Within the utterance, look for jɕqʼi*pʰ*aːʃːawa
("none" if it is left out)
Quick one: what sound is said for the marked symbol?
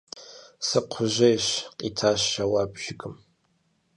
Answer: tʰ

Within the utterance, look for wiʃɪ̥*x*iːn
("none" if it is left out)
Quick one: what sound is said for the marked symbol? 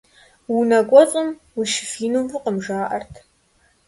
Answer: f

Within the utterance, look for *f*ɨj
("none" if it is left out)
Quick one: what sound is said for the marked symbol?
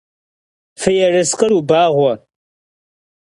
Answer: f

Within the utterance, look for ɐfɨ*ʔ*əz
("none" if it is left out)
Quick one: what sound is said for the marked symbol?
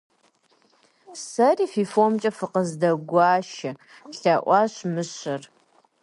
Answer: q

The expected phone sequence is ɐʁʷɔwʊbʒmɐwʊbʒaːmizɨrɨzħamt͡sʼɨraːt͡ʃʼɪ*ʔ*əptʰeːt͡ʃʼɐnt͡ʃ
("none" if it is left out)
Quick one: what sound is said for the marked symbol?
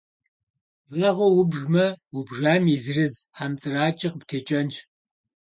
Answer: q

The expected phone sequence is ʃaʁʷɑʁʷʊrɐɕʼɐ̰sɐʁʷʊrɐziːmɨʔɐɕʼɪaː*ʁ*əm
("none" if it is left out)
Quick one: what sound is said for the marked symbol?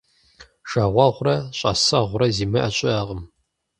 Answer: ʁ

